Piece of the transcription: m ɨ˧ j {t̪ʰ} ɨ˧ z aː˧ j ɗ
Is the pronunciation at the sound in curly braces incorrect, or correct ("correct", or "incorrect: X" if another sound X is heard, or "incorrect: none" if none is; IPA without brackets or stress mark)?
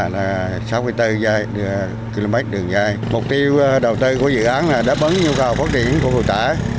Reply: incorrect: t̪